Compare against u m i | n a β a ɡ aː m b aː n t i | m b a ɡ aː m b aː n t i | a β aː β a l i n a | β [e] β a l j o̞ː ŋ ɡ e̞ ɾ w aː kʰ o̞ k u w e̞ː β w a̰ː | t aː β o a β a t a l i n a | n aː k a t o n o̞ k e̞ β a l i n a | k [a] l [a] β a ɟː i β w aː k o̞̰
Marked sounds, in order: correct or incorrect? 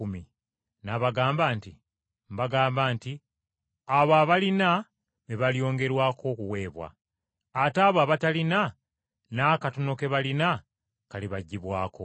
correct, correct, incorrect: i

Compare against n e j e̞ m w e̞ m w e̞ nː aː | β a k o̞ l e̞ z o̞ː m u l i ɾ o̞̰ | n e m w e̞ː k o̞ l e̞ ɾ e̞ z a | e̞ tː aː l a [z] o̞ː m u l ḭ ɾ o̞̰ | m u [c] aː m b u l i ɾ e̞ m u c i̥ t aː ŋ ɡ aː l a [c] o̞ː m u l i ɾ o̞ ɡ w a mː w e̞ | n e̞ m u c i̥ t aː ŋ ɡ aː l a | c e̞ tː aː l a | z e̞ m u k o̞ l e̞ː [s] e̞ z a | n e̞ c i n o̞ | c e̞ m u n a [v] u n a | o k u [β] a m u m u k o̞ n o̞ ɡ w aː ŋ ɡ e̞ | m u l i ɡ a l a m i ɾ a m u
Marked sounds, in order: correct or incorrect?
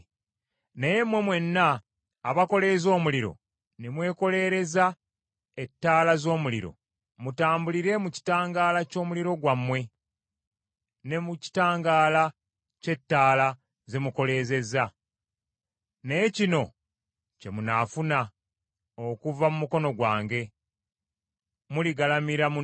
correct, incorrect: t, correct, incorrect: z, incorrect: f, incorrect: v

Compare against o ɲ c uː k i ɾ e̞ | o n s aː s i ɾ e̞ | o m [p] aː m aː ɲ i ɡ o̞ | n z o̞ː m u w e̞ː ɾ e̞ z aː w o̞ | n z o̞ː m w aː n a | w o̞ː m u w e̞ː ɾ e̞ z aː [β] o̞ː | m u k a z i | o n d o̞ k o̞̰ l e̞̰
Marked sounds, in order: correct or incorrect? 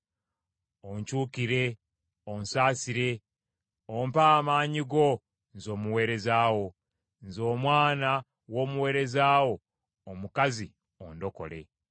correct, incorrect: w

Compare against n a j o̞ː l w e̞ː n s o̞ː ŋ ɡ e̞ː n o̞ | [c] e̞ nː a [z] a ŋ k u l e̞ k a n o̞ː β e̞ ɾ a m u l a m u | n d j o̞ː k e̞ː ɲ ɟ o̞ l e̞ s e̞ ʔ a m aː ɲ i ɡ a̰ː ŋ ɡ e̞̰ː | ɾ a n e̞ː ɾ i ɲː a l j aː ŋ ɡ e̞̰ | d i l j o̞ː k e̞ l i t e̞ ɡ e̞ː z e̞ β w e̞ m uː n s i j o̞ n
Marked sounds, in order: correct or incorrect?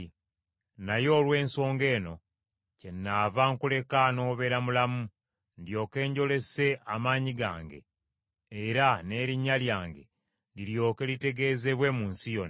correct, incorrect: v

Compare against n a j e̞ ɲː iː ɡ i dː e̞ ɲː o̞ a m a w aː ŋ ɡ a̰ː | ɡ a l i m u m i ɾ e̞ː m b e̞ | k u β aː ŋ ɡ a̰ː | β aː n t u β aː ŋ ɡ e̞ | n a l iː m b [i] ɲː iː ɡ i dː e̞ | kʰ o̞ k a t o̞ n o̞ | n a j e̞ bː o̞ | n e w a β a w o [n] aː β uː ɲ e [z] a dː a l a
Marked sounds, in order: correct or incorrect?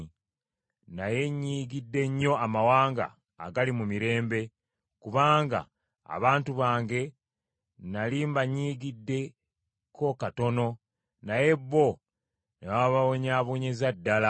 incorrect: a, incorrect: ɲ, correct

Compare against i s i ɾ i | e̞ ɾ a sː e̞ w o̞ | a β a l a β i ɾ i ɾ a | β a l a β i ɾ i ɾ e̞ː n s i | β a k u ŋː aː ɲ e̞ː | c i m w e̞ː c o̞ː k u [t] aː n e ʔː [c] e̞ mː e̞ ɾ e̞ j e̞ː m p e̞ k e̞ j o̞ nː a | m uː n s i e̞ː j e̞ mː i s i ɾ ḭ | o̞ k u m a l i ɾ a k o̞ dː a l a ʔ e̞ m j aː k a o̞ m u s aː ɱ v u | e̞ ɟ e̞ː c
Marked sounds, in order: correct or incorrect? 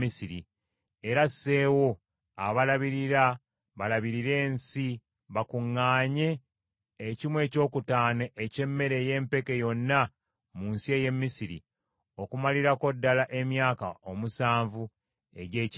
correct, correct

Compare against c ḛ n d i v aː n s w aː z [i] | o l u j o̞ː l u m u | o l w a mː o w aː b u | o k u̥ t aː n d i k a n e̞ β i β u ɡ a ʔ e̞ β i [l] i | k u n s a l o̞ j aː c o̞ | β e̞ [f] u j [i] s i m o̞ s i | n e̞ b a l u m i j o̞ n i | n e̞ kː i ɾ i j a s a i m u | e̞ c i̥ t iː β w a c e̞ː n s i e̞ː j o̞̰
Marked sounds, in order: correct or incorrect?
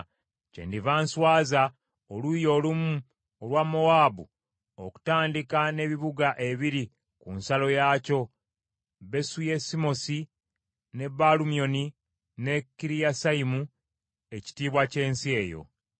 incorrect: a, incorrect: ɾ, incorrect: s, incorrect: e

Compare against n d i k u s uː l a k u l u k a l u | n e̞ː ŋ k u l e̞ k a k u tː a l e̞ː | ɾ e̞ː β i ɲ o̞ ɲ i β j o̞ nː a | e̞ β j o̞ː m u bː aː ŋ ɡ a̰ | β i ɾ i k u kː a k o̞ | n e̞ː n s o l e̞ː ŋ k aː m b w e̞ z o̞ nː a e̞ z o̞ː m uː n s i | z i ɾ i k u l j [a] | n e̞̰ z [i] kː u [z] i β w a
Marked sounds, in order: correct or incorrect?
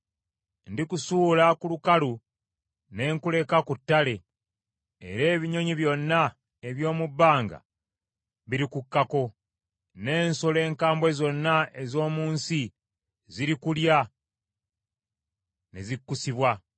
correct, correct, incorrect: s

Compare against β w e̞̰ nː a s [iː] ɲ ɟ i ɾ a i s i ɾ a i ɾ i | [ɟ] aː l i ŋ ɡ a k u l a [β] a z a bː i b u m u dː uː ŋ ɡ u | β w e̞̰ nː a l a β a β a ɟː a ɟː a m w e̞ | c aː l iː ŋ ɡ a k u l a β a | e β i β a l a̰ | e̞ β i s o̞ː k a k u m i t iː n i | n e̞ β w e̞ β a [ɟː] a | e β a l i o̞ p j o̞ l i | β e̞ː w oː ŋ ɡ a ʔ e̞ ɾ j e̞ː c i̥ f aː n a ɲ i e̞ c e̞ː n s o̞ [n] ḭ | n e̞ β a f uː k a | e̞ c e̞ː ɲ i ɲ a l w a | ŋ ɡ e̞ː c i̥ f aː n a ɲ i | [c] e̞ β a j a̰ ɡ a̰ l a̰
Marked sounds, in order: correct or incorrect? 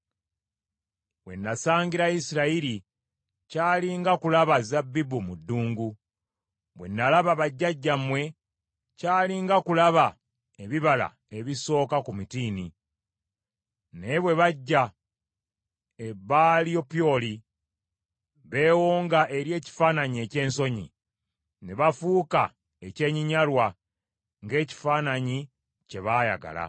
incorrect: aː, incorrect: c, correct, correct, incorrect: ɲ, correct

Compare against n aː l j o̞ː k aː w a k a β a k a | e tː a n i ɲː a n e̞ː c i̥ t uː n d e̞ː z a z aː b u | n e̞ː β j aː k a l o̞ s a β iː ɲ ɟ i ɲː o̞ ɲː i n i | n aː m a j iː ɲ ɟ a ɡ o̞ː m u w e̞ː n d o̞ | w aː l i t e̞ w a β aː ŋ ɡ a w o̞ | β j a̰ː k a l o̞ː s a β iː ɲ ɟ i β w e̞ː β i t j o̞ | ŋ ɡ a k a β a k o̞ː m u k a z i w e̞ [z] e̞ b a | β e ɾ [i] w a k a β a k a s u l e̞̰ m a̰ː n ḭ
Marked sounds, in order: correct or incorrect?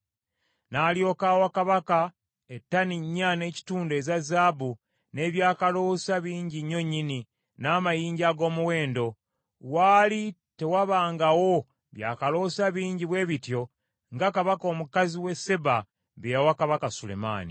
incorrect: s, incorrect: a

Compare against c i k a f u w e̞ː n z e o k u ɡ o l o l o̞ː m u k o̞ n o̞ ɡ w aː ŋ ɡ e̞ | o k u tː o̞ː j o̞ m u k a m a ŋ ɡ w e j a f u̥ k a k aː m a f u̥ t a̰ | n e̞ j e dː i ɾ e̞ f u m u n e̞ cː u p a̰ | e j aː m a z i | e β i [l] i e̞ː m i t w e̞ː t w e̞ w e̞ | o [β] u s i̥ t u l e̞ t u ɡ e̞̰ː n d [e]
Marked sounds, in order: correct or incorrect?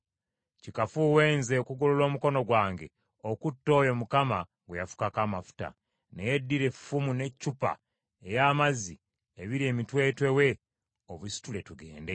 incorrect: ɾ, correct, correct

